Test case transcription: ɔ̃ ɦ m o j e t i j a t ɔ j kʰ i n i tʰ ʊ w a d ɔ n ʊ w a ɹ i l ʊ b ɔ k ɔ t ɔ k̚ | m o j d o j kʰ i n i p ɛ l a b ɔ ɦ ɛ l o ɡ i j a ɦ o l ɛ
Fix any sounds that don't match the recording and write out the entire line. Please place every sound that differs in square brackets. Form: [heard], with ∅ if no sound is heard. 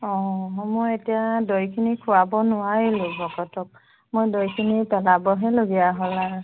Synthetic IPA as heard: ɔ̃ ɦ m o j e t i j a [d] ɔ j kʰ i n i [kʰ] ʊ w a [b] ɔ n ʊ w a ɹ i l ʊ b ɔ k ɔ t ɔ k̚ | m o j d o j kʰ i n i p ɛ l a b ɔ ɦ ɛ l o ɡ i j a ɦ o l [a]